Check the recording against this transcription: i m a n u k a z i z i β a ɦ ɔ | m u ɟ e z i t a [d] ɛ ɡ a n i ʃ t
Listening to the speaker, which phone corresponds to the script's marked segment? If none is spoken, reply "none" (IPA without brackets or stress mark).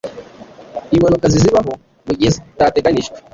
t